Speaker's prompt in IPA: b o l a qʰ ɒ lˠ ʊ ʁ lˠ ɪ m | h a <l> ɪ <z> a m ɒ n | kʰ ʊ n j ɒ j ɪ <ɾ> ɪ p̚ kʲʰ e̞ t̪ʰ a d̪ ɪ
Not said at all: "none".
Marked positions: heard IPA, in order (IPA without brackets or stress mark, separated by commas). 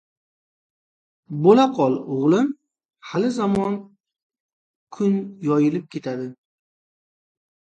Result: l, z, l